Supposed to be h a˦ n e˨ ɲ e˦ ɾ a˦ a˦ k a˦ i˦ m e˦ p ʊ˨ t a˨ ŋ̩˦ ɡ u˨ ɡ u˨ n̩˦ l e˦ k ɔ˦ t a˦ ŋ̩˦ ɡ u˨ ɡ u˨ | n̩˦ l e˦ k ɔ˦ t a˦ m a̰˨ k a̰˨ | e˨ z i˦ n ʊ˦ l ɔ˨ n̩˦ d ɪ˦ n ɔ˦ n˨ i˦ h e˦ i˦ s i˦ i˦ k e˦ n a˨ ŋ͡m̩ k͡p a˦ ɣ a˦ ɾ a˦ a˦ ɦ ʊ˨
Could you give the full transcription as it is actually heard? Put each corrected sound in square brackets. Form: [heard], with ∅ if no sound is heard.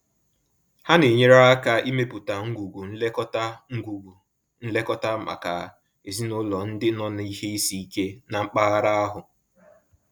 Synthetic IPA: h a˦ n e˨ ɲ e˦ ɾ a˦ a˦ k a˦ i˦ m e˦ p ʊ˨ t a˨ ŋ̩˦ ɡ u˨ ɡ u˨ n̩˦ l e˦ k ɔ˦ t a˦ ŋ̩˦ ɡ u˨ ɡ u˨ | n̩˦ l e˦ k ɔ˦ t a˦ m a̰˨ k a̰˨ | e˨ z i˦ n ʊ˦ l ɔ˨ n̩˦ d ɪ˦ n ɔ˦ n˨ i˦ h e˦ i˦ s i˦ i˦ k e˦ n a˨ ŋ͡m̩ k͡p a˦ ɣ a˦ ɾ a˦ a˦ ɦ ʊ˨